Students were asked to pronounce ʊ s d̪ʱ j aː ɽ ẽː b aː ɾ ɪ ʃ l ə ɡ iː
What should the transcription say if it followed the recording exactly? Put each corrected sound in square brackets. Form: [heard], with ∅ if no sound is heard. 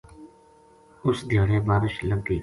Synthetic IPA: ʊ s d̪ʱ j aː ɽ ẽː b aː ɾ ɪ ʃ l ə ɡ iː